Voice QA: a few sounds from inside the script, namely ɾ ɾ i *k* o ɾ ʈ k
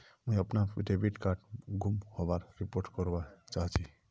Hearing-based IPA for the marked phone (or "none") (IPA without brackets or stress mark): p